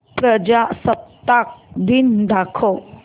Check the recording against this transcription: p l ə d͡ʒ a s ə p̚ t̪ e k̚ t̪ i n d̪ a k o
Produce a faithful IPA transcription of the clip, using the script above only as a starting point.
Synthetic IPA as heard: p ɾ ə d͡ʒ a s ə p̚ t̪ a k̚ d̪ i n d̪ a kʰ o